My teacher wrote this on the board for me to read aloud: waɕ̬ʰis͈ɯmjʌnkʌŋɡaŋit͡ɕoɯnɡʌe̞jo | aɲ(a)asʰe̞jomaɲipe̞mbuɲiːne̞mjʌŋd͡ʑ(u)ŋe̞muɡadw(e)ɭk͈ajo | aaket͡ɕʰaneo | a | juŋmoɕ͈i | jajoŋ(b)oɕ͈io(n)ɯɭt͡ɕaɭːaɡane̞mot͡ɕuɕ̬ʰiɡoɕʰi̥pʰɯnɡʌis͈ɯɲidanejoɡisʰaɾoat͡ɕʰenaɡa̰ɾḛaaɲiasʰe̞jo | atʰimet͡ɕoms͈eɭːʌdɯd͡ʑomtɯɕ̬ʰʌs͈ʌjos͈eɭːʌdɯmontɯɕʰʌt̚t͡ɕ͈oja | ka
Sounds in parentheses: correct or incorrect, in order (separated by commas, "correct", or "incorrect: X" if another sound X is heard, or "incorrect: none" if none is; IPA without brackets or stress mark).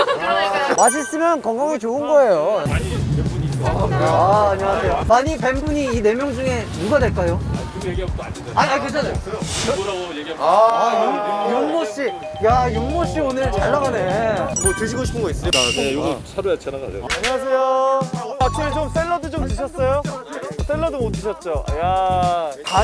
incorrect: i, correct, correct, incorrect: m, correct